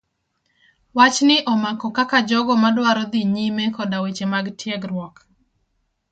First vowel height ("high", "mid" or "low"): low